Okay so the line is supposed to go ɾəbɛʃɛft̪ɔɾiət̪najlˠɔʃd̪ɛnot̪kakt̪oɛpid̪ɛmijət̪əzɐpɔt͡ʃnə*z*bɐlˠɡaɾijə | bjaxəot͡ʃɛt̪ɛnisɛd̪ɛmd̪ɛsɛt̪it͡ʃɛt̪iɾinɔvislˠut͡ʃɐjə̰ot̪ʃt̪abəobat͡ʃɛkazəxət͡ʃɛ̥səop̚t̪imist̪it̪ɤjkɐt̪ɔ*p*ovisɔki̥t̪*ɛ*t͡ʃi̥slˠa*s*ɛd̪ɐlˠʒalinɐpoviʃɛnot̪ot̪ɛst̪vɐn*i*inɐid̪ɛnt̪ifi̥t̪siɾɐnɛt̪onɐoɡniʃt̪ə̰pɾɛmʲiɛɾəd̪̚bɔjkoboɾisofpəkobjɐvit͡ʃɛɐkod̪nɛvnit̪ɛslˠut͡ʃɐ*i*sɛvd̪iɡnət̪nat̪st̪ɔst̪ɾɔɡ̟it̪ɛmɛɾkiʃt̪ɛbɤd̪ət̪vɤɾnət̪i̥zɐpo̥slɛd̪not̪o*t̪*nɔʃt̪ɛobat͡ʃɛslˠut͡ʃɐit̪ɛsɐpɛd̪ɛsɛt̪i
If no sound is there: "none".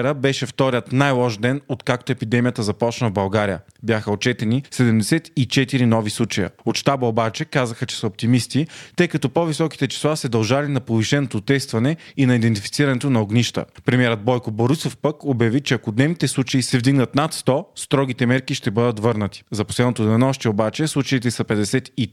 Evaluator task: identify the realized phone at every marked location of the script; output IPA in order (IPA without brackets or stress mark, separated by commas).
v, p, ɛ, s, ɛ, i, d̪